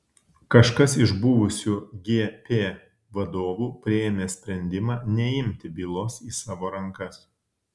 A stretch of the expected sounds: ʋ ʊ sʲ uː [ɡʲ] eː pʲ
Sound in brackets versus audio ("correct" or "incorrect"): correct